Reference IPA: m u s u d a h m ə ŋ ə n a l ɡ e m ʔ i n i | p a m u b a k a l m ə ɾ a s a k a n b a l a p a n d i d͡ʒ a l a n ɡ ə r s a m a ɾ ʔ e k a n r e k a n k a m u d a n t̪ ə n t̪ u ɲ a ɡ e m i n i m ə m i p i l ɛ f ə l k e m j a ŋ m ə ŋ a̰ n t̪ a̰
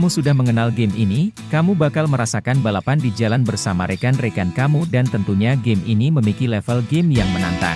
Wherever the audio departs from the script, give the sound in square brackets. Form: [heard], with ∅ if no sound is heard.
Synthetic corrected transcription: m u s u d a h m ə ŋ ə n a l ɡ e m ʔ i n i | [k] a m u b a k a l m ə ɾ a s a k a n b a l a p a n d i d͡ʒ a l a n [b] ə r s a m a ɾ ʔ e k a n r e k a n k a m u d a n t̪ ə n t̪ u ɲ a ɡ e m i n i m ə m i [k] i l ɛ f ə l [ɡ] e m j a ŋ m ə [n] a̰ n t̪ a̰